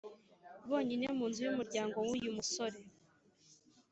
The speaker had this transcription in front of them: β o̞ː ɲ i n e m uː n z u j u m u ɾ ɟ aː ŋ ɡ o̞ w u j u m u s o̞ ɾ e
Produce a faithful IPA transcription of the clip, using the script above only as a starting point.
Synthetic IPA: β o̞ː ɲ i n e m uː n z u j u m u ɾ ɟ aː ŋ ɡ o̞ w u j u m u s o̞ ɾ e